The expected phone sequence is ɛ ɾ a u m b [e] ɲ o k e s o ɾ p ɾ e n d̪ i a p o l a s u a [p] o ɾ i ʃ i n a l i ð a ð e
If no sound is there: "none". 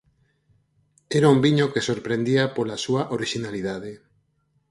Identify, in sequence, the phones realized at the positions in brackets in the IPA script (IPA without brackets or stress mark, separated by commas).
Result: i, ʔ